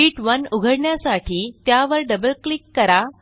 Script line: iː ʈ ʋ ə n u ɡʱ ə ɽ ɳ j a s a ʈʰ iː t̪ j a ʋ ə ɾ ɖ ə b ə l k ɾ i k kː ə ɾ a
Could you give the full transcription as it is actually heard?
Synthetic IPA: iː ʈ ʋ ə n u ɡʱ ə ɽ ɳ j a s a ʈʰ iː t̪ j a ʋ ə ɾ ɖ ə b ə l k l i k kː ə ɾ a